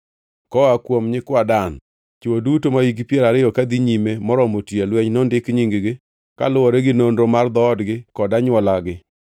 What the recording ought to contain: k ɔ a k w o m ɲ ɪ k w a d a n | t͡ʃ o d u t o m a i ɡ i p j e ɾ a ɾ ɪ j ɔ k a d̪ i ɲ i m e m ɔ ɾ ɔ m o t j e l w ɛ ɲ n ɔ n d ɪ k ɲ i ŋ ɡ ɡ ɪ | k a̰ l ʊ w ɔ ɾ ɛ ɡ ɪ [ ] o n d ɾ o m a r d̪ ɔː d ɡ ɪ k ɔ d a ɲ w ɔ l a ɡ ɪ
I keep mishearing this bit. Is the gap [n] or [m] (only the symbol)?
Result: n